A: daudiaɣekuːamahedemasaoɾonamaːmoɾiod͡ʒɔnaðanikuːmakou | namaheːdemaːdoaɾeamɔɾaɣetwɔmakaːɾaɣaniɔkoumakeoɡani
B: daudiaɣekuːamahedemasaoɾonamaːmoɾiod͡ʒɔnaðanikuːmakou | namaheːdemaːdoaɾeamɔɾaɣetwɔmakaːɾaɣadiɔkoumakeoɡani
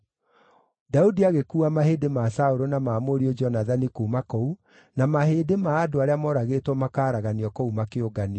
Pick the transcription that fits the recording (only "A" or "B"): A